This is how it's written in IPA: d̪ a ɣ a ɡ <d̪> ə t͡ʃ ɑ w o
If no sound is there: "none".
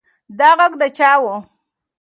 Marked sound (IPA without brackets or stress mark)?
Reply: d̪